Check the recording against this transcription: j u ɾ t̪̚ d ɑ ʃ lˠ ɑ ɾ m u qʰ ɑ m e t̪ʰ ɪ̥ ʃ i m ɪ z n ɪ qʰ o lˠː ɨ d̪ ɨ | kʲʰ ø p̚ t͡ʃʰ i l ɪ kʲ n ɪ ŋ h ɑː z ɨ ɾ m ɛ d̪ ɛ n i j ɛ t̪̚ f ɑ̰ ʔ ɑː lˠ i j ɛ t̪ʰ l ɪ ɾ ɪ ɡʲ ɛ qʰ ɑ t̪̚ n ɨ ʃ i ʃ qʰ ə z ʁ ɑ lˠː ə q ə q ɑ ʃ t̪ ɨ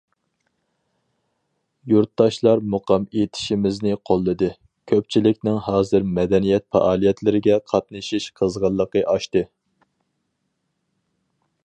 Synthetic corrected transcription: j u ɾ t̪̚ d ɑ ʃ lˠ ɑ ɾ m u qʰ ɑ m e t̪ʰ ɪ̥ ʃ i m ɪ z n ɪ qʰ o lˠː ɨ d̪ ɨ | kʲʰ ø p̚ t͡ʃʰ i l ɪ kʲ n ɪ ŋ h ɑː z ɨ ɾ m ɛ d̪ ɛ n i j ɛ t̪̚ f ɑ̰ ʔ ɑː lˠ i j ɛ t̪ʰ l ɪ ɾ ɪ ɡʲ ɛ qʰ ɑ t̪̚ n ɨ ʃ i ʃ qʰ ə z ʁ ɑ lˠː ə q ə ʔ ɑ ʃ t̪ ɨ

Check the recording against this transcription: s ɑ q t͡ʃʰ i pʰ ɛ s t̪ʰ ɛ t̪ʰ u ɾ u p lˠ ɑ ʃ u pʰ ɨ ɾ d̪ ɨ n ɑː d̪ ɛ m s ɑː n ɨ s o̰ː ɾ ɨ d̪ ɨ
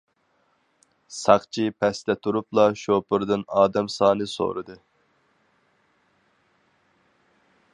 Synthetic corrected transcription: s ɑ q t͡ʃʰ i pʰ ɛ s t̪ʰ ɛ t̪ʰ u ɾ u p lˠ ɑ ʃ o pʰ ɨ ɾ d̪ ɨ n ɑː d̪ ɛ m s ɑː n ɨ s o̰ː ɾ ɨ d̪ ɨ

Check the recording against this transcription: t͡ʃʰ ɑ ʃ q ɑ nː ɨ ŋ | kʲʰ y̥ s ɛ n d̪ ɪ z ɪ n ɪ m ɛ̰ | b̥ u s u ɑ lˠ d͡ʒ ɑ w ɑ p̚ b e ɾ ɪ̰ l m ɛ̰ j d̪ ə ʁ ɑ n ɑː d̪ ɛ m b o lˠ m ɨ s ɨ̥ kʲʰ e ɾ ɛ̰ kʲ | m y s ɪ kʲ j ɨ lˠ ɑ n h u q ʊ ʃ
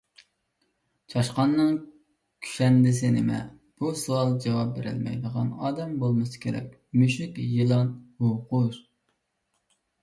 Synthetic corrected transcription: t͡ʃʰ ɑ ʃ q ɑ nː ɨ ŋ | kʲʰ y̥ ʃ ɛ n d̪ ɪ s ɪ n ɪ m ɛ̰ | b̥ u s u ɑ lˠ d͡ʒ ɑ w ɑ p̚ b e ɾ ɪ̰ l m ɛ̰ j d̪ ə ʁ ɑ n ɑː d̪ ɛ m b o lˠ m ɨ s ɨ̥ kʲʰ e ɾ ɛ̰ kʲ | m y ʃ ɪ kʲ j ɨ lˠ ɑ n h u q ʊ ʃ

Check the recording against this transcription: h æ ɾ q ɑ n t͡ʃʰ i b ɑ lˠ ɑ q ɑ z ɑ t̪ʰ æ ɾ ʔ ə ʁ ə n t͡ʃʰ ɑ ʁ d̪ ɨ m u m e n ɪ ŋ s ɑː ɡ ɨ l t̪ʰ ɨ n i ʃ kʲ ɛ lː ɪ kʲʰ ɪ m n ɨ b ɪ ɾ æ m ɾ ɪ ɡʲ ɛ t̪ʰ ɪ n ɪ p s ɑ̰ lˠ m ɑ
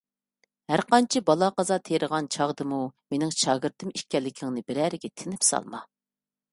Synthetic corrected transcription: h æ ɾ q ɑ n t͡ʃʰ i b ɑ lˠ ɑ q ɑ z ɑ t̪ʰ e ɾ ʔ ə ʁ ɑ n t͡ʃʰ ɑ ʁ d̪ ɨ m u m e n ɪ ŋ ʃ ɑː ɡ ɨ ɾ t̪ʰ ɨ m i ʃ kʲ ɛ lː ɪ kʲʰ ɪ ŋ n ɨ b ɪ ɾ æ ɾ ɪ ɡʲ ɛ t̪ʰ ɪ n ɪ p s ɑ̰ lˠ m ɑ

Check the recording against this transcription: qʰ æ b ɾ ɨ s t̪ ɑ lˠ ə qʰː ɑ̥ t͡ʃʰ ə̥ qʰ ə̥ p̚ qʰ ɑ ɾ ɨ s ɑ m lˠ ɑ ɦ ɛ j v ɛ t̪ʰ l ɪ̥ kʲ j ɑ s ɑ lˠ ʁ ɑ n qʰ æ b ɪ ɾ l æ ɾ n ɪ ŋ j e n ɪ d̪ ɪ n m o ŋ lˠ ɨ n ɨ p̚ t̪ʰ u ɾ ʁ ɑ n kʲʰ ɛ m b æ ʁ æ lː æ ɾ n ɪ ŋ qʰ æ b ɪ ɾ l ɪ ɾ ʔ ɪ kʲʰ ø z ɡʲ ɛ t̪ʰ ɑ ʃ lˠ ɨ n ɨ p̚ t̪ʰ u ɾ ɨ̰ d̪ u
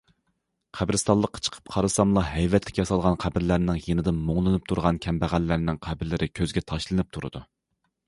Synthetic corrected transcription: qʰ æ b ɾ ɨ s t̪ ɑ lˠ ə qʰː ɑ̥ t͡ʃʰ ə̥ qʰ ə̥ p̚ qʰ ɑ ɾ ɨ s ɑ m lˠ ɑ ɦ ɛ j v ɛ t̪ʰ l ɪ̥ kʲ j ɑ s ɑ lˠ ʁ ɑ n qʰ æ b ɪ ɾ l æ ɾ n ɪ ŋ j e n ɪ d̪ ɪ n m o ŋ lˠ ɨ n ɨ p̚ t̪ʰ u ɾ ʁ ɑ n kʲʰ ɛ m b æ ʁ æ lː æ ɾ n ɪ ŋ qʰ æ b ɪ ɾ l ɪ ɾ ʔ ɪ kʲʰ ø z ɡʲ ɛ t̪ʰ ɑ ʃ lˠ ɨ n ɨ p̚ t̪ʰ u ɾ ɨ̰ d̪ u

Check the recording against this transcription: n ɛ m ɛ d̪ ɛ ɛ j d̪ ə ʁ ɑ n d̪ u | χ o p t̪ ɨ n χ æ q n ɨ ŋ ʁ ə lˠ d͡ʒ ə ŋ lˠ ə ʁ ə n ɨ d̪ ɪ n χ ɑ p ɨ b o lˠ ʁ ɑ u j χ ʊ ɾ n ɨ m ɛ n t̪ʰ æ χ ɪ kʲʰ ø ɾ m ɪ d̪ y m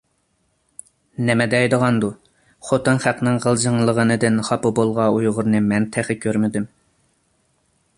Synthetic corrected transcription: n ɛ m ɛ d̪ ɛ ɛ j d̪ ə ʁ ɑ n d̪ u | χ o t̪ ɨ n χ æ q n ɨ ŋ ʁ ə lˠ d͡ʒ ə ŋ lˠ ə ʁ ə n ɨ d̪ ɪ n χ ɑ p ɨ b o lˠ ʁ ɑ u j ʁ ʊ ɾ n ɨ m ɛ n t̪ʰ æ χ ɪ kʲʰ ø ɾ m ɪ d̪ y m

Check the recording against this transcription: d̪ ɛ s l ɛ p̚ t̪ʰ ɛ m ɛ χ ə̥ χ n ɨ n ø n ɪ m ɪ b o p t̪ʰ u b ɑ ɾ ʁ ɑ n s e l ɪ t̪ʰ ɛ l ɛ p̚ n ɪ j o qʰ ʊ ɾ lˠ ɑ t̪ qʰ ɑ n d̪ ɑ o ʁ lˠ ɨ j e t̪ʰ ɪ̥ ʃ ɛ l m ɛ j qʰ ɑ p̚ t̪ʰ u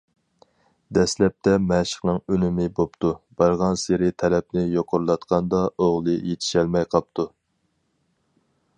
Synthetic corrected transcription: d̪ ɛ s l ɛ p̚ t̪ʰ ɛ m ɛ ʃ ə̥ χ n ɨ ŋ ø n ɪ m ɪ b o p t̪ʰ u b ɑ ɾ ʁ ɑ n s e ɾ ɪ t̪ʰ ɛ l ɛ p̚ n ɪ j o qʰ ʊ ɾ lˠ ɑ t̪ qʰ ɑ n d̪ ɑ o ʁ lˠ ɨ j e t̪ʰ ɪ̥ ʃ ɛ l m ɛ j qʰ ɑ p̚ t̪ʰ u

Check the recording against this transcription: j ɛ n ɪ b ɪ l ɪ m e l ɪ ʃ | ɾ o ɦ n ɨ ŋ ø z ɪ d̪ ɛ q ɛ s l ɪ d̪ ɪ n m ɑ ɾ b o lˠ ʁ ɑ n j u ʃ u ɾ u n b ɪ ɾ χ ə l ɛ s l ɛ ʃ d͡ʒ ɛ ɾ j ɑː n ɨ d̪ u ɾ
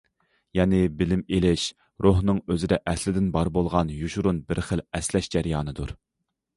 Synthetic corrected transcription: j ɛ n ɪ b ɪ l ɪ m e l ɪ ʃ | ɾ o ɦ n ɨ ŋ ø z ɪ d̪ ɛ ʔ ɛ s l ɪ d̪ ɪ n b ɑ ɾ b o lˠ ʁ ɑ n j u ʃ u ɾ u n b ɪ ɾ χ ə l ɛ s l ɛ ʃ d͡ʒ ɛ ɾ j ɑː n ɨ d̪ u ɾ

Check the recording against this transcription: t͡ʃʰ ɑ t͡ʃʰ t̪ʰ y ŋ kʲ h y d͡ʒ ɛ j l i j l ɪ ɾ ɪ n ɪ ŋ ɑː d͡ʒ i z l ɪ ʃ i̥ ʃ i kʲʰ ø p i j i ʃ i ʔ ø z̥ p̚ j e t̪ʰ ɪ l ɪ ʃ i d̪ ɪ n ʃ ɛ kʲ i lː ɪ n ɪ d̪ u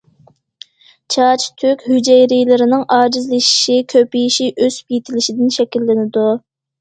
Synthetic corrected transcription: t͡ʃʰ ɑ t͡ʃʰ t̪ʰ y kʲ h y d͡ʒ ɛ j ɾ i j l ɪ ɾ ɪ n ɪ ŋ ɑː d͡ʒ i z l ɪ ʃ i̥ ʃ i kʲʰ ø p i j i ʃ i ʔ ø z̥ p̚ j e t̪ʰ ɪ l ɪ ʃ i d̪ ɪ n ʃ ɛ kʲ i lː ɪ n ɪ d̪ u

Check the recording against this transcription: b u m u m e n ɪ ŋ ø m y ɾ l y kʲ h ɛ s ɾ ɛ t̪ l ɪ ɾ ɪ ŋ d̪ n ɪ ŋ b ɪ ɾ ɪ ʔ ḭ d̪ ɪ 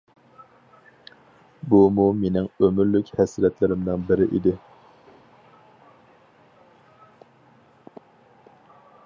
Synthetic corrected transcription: b u m u m e n ɪ ŋ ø m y ɾ l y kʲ h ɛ s ɾ ɛ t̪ l ɪ ɾ ɪ m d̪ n ɪ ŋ b ɪ ɾ ɪ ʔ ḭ d̪ ɪ

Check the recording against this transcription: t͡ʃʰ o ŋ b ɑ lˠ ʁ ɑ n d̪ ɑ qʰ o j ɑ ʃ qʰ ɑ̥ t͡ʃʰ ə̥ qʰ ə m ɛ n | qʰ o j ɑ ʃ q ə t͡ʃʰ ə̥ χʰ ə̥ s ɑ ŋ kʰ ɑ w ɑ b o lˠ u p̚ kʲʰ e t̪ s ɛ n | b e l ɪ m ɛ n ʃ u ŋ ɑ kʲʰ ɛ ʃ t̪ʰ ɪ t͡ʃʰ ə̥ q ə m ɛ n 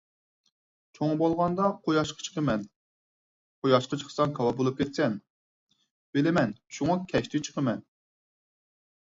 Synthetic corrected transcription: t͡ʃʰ o ŋ b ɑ lˠ ʁ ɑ n d̪ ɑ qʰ o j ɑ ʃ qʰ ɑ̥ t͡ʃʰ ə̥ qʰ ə m ɛ n | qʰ o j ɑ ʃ q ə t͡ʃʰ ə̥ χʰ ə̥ s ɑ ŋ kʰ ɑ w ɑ b o lˠ u p̚ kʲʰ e t̪ s ɛ n | b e l ɪ m ɛ n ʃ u ŋ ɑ kʲʰ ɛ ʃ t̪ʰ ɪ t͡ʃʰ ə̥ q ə m ɛ n

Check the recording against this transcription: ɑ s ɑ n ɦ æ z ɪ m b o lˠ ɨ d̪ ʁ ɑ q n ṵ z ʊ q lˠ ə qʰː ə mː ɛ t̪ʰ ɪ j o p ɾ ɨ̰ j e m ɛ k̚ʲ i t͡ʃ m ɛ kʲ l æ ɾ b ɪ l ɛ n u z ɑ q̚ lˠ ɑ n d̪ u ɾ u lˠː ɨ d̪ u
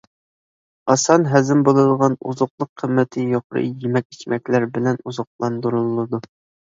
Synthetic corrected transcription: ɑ s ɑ n ɦ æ z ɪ m b o lˠ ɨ d̪ ʁ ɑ n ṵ z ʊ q lˠ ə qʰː ə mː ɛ t̪ʰ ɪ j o q ɾ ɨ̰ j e m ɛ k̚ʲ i t͡ʃ m ɛ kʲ l æ ɾ b ɪ l ɛ n u z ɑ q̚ lˠ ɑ n d̪ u ɾ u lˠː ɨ d̪ u

